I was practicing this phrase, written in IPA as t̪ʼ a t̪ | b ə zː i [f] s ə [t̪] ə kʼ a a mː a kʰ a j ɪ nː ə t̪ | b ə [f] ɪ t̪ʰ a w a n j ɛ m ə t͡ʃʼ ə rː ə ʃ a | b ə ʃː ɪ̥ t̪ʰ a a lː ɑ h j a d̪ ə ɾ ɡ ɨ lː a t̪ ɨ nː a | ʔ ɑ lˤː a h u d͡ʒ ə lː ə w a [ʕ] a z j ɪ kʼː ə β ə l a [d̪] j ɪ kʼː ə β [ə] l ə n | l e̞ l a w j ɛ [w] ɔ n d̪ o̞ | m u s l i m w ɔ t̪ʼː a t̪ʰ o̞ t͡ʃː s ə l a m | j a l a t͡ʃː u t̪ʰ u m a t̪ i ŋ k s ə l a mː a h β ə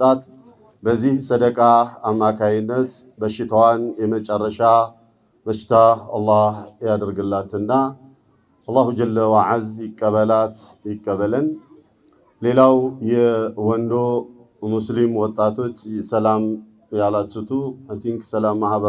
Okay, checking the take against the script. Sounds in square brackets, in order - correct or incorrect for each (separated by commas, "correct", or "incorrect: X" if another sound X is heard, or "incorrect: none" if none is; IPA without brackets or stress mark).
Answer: incorrect: h, incorrect: d̪, incorrect: ʃ, correct, incorrect: t̪, correct, correct